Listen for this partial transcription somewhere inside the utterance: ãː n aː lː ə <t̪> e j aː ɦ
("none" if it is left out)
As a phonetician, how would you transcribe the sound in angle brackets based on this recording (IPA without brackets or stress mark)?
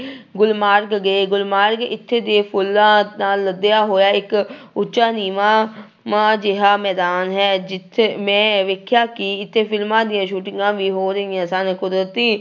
d̪